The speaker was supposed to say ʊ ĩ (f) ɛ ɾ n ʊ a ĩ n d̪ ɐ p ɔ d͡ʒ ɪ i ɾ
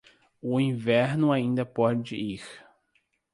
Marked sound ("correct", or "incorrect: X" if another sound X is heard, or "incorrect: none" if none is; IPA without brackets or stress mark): incorrect: v